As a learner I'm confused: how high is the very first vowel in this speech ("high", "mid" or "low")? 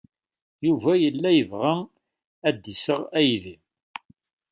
high